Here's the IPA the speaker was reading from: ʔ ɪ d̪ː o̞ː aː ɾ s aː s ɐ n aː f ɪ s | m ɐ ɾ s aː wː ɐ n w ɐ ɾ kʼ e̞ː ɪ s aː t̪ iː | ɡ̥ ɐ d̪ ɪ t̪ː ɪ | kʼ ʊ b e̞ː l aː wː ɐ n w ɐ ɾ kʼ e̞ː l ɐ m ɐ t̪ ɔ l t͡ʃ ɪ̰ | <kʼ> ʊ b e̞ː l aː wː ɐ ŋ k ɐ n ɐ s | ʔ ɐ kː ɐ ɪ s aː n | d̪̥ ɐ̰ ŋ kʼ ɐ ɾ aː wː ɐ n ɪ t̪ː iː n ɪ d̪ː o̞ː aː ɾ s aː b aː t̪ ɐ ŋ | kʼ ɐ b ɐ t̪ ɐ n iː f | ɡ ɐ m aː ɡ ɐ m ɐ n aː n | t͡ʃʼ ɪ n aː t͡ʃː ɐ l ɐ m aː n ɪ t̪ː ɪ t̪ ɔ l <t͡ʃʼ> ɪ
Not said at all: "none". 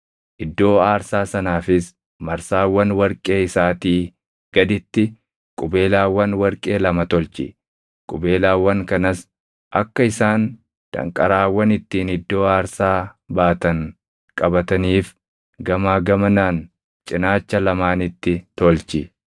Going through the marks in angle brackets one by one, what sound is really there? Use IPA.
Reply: kʼ, t͡ʃ

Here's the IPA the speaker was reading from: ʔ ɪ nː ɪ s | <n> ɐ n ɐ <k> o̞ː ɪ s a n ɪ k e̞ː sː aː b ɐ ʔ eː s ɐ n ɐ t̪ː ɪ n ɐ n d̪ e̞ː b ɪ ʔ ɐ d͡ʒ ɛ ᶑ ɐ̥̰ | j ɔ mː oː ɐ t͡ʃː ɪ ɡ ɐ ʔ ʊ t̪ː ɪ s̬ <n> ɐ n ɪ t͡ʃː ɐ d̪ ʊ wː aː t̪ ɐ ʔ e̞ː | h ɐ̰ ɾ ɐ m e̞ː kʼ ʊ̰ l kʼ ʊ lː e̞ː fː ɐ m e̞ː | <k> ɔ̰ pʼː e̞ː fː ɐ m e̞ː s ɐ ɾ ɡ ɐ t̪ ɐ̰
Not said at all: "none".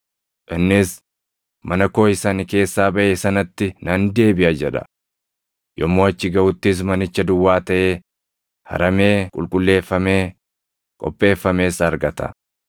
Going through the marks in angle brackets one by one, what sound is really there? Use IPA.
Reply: m, k, m, kʼ

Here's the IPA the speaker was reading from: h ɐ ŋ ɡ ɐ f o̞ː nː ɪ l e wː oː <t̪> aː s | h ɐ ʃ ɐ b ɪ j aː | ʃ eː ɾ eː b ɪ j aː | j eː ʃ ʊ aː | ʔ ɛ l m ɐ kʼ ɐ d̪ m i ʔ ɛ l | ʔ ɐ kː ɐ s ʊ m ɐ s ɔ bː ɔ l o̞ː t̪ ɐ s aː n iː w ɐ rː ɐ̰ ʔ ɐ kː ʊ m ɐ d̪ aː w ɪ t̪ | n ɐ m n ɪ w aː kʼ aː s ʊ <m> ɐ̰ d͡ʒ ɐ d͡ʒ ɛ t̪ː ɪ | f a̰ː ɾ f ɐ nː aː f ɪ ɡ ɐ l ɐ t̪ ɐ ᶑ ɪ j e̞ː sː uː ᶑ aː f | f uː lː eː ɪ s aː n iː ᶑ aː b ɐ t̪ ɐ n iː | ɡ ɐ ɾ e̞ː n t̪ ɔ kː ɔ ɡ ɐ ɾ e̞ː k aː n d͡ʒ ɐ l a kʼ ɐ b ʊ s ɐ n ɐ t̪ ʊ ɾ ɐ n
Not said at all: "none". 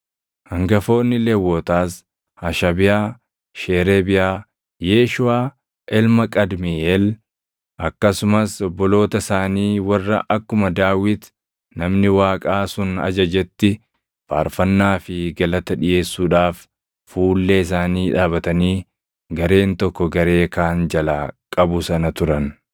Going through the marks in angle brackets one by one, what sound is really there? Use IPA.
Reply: t̪, n

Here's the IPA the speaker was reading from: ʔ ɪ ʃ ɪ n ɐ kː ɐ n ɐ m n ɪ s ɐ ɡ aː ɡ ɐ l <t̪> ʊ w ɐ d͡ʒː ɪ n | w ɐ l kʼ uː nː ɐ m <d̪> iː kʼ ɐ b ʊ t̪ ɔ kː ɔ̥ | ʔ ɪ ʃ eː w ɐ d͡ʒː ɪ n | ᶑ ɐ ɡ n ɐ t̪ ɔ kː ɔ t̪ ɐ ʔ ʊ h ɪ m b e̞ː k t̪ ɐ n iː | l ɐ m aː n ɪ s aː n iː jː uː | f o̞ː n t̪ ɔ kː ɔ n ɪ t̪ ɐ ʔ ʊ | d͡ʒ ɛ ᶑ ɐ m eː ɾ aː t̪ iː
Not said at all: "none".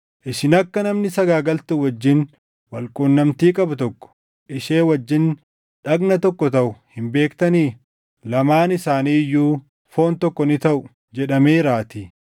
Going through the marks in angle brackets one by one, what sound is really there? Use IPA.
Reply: t̪, t̪

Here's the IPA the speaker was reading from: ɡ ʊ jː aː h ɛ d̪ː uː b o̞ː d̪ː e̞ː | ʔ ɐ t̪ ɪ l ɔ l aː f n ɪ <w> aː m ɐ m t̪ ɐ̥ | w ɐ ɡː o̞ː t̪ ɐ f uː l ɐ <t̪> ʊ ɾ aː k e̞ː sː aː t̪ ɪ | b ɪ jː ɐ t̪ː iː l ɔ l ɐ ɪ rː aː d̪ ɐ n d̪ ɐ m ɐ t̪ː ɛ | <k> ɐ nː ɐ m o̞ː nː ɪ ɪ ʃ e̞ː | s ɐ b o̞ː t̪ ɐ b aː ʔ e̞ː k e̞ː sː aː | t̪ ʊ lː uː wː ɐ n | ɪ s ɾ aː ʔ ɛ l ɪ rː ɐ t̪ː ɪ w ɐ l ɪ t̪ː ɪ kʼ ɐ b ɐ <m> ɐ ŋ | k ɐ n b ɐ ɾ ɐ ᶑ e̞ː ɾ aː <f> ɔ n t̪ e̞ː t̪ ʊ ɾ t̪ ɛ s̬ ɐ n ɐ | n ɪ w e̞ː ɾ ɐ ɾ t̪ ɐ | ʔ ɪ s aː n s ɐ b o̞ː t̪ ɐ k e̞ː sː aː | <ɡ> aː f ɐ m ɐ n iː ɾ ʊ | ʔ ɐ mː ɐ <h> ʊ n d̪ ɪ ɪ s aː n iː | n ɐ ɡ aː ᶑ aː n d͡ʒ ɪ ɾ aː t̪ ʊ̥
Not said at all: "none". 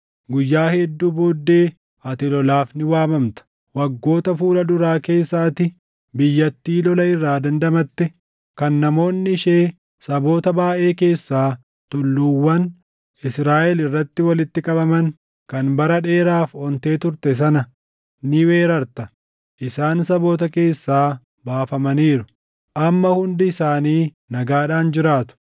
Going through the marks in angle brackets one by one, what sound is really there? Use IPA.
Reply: w, d̪, k, m, f, b, h

